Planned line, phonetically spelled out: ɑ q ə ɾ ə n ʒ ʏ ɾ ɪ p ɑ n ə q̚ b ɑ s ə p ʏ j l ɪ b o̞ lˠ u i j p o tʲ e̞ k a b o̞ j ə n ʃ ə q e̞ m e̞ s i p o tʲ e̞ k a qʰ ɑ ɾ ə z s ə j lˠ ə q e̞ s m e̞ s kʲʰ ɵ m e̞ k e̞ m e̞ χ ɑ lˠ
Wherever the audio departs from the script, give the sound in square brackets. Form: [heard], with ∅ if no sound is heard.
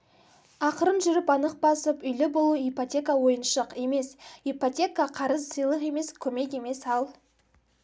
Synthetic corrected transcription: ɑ q ə ɾ ə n ʒ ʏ ɾ ɪ p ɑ n ə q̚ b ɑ s ə p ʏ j l ɪ b o̞ lˠ u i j p o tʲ e̞ k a [w] o̞ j ə n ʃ ə q e̞ m e̞ s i p o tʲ e̞ k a qʰ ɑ ɾ ə z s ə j lˠ ə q e̞ [∅] m e̞ s kʲʰ ɵ m e̞ k e̞ m e̞ [s] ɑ lˠ